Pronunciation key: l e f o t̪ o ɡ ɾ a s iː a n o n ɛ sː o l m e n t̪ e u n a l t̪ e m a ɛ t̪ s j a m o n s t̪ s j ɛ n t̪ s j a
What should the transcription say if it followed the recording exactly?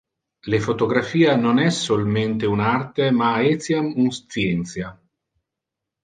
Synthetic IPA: l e f o t̪ o ɡ ɾ a f iː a n o n ɛ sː o l m e n t̪ e u n a r t̪ e m a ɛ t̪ s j a m u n s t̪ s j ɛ n t̪ s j a